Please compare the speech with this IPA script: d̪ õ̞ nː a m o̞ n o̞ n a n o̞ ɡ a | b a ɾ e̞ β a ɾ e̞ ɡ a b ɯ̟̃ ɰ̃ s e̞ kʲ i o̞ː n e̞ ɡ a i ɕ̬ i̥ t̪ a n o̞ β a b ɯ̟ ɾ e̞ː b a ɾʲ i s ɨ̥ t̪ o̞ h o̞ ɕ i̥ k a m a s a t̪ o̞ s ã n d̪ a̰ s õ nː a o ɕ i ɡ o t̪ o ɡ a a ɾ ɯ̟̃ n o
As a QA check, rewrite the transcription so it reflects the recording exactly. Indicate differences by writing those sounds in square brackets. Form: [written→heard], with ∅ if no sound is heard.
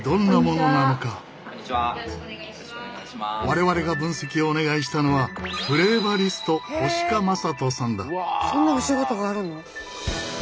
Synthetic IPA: d̪ õ̞ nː a m o̞ n o̞ n a n o̞ [ɡ→k] a | [b→β] a ɾ e̞ β a ɾ e̞ ɡ a b ɯ̟̃ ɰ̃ s e̞ kʲ i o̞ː n e̞ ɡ a i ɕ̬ i̥ t̪ a n o̞ β a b ɯ̟ ɾ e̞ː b a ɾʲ i s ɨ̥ t̪ o̞ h o̞ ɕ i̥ k a m a s a t̪ o̞ s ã n d̪ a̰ s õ nː a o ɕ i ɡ o t̪ o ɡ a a ɾ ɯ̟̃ n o